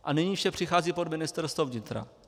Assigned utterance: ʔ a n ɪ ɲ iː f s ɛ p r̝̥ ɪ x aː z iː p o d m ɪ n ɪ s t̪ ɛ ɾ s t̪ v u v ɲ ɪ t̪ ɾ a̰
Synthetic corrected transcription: ʔ a n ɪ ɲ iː f ʃ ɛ p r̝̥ ɪ x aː z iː p o d m ɪ n ɪ s t̪ ɛ ɾ s t̪ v o v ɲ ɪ t̪ ɾ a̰